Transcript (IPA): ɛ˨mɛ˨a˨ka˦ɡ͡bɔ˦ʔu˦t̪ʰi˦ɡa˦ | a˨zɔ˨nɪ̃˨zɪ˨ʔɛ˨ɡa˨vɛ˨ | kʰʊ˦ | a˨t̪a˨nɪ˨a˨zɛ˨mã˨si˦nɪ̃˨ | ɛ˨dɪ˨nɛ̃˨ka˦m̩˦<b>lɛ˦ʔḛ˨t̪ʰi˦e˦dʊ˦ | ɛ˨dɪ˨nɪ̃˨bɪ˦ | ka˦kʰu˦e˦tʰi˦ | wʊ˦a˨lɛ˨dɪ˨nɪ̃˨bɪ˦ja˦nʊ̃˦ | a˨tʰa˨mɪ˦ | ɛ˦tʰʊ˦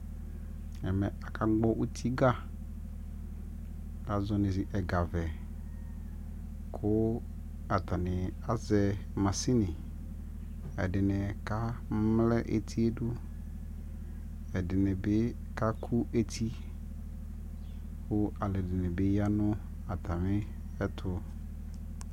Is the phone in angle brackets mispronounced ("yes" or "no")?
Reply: yes